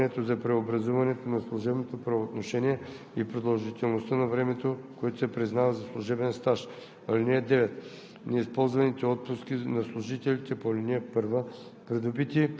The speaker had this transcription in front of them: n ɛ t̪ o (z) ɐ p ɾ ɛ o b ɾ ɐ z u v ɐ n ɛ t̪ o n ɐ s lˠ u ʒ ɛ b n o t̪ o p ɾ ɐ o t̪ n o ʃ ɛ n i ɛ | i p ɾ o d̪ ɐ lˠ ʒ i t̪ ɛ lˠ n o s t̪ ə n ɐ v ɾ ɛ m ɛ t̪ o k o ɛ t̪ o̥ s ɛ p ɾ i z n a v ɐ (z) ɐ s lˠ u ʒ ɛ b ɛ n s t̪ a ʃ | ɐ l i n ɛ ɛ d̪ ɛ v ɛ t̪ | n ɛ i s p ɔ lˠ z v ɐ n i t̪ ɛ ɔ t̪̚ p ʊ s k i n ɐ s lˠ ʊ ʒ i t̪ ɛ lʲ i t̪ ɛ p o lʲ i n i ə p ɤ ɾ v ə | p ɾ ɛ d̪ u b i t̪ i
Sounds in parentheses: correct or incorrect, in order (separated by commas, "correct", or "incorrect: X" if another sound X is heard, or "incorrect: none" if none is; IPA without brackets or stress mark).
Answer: correct, correct